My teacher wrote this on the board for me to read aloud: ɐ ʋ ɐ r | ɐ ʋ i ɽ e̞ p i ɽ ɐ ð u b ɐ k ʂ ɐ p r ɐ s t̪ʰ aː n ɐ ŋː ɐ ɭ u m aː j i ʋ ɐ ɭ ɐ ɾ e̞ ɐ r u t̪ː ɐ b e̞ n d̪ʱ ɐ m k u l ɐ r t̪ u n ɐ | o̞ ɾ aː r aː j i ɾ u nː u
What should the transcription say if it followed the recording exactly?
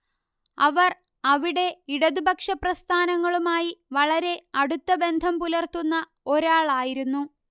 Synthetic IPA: ɐ ʋ ɐ r | ɐ ʋ i ɽ e̞ i ɽ ɐ ð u b ɐ k ʂ ɐ p r ɐ s t̪ʰ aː n ɐ ŋː ɐ ɭ u m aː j i ʋ ɐ ɭ ɐ ɾ e̞ ɐ ɽ u t̪ː ɐ b e̞ n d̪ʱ ɐ m p u l ɐ r t̪ u nː ɐ | o̞ ɾ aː ɭ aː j i ɾ u nː u